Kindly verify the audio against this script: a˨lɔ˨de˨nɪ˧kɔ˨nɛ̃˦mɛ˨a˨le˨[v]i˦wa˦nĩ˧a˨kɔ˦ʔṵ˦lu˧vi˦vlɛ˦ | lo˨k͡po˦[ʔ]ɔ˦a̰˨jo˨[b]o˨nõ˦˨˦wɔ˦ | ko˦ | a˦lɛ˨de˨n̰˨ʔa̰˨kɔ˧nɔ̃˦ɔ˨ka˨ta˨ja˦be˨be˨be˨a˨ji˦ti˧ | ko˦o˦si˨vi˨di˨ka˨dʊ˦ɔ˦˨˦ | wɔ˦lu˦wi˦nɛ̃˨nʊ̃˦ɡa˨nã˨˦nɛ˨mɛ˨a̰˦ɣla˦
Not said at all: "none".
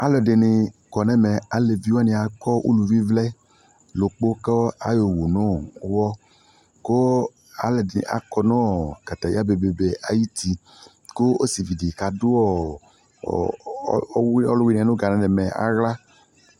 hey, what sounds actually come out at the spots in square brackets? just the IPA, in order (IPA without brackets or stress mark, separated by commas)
v, k, w